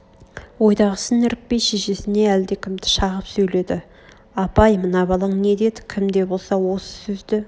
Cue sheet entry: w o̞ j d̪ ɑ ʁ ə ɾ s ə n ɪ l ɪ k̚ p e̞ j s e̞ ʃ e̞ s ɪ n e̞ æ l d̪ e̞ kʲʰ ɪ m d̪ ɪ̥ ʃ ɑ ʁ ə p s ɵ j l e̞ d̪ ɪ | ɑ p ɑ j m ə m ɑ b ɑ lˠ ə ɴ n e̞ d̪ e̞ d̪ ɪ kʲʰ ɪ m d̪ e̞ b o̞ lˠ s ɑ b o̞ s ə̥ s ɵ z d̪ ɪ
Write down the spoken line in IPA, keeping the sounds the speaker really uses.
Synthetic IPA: w o̞ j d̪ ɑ ʁ ə s ə n ɪ ɾ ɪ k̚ p e̞ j ʃ e̞ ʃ e̞ s ɪ n e̞ æ l d̪ e̞ kʲʰ ɪ m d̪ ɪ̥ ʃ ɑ ʁ ə p s ɵ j l e̞ d̪ ɪ | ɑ p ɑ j m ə n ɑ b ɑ lˠ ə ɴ n e̞ d̪ e̞ d̪ ɪ kʲʰ ɪ m d̪ e̞ b o̞ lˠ s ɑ w o̞ s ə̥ s ɵ z d̪ ɪ